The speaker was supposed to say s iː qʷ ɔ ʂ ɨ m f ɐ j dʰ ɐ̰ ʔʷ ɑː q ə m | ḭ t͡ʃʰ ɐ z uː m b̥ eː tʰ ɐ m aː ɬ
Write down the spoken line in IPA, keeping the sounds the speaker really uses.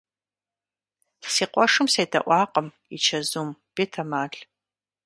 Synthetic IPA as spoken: s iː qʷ ɔ ʂ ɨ m s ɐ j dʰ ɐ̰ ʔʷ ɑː q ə m | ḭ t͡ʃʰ ɐ z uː m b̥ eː tʰ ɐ m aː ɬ

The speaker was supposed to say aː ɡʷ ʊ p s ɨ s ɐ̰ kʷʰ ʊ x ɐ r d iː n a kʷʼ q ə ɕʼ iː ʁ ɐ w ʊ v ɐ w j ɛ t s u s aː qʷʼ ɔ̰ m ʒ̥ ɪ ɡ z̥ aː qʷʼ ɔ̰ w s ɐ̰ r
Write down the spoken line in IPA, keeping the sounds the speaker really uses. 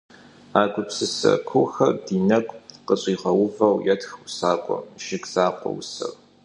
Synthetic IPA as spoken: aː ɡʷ ʊ p s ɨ s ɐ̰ kʷʰ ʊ x ɐ r d iː n ɐ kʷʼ q ə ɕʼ iː ʁ ɐ w ʊ v ɐ w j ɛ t x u s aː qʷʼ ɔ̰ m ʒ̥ ɪ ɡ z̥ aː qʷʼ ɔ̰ w s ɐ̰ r

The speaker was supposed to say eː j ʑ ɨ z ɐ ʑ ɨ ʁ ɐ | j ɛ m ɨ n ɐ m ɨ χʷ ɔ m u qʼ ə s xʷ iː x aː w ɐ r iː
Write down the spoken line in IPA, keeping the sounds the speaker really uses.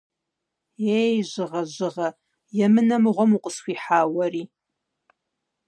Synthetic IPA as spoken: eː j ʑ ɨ ʁ ɐ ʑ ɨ ʁ ɐ | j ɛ m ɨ n ɐ m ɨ ʁʷ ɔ m u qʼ ə s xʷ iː ħ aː w ɐ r iː

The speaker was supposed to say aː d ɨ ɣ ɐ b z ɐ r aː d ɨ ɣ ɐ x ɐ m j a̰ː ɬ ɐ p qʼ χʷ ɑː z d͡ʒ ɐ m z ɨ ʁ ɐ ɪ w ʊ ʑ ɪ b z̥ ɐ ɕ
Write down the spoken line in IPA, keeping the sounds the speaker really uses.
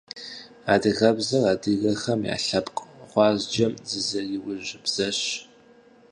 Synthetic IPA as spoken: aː d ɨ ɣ ɐ b z ɐ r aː d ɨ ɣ ɐ x ɐ m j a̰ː ɬ ɐ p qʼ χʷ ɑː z d͡ʒ ɐ m z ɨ z ɐ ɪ w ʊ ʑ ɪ b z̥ ɐ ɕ

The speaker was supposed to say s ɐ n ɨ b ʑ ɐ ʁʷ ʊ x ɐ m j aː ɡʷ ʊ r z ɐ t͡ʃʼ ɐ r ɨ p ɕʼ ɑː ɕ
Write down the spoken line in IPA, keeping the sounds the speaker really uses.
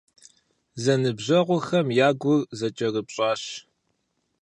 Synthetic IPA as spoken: z ɐ n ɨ b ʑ ɐ ʁʷ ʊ x ɐ m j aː ɡʷ ʊ r z ɐ t͡ʃʼ ɐ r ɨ p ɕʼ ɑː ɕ

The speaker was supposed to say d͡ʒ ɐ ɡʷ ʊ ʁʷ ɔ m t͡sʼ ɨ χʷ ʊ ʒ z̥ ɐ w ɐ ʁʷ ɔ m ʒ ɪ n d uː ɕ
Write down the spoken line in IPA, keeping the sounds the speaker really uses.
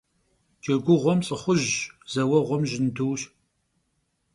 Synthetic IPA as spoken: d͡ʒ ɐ ɡʷ ʊ ʁʷ ɔ m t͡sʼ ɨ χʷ ʊ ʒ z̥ ɐ w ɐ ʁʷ ɔ m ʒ ɪ n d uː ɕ

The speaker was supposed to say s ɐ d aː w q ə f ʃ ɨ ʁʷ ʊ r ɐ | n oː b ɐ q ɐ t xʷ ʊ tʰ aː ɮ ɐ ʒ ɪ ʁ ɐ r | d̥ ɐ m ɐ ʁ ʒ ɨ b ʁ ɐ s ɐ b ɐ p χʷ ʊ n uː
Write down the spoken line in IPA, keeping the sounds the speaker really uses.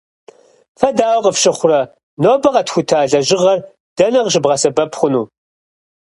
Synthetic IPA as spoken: f ɐ d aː w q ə f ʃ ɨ χʷ ʊ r ɐ | n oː b ɐ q ɐ t xʷ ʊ tʰ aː ɮ ɐ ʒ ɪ ʁ ɐ r | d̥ ɐ n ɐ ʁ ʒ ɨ b ʁ ɐ s ɐ b ɐ p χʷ ʊ n uː

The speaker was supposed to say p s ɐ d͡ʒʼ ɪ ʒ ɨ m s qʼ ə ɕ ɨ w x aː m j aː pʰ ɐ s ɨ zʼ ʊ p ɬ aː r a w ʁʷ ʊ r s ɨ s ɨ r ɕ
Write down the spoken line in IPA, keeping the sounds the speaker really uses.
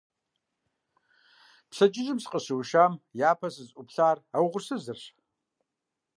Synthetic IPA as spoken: p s ɐ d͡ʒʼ ɪ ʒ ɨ m s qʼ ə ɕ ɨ w ʃ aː m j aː pʰ ɐ s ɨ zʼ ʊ p ɬ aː r a w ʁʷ ʊ r s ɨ z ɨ r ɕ

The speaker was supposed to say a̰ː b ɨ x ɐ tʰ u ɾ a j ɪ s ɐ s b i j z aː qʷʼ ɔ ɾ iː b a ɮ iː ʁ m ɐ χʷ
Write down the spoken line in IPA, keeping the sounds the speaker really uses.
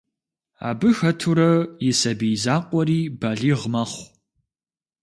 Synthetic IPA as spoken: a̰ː b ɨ x ɐ tʰ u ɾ ɐ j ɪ s ɐ b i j z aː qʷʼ ɔ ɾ iː b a ɮ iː ʁ m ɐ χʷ

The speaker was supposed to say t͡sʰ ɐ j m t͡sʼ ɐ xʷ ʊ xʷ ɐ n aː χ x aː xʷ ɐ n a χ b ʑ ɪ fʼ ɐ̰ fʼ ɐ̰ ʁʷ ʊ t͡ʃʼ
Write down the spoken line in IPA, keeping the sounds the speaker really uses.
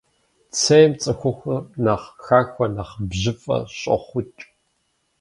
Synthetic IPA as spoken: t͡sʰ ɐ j m t͡sʼ ɐ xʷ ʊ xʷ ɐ n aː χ x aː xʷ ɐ n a χ b ʑ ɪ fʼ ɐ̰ ɕʼ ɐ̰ χʷ ʊ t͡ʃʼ

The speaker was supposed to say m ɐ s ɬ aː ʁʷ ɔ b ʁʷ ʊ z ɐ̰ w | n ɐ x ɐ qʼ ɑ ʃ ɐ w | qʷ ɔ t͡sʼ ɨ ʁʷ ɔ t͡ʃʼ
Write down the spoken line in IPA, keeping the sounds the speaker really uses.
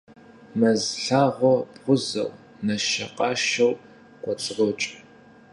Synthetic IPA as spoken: m ɐ z ɬ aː ʁʷ ɔ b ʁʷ ʊ z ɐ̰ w | n ɐ ʃ ɐ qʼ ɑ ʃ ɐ w | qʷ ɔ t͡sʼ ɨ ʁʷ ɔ t͡ʃʼ

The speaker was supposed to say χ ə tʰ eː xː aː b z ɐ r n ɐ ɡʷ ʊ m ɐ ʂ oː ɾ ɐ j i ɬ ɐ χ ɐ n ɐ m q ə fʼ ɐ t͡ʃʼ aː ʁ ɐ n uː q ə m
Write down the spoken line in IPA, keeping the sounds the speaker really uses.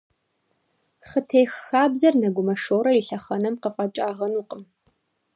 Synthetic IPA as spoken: χ ə tʰ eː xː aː b z ɐ r n ɐ ɡʷ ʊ m ɐ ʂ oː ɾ ɐ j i ɬ ɐ χ ɐ n ɐ m q ə fʼ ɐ t͡ʃʼ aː ʁ ɐ n uː q ə m

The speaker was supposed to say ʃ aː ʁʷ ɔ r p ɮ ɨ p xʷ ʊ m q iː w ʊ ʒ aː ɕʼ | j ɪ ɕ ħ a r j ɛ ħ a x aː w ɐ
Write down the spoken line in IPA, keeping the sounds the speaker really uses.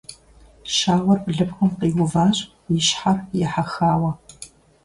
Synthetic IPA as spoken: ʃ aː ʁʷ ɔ r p ɮ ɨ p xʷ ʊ m q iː w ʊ v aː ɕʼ | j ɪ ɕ ħ a r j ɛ ħ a x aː w ɐ

